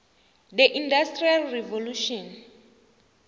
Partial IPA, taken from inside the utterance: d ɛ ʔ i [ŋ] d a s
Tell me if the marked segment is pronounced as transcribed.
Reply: no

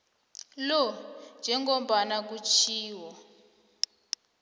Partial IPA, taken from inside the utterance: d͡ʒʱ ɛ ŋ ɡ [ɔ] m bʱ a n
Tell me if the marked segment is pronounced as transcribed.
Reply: yes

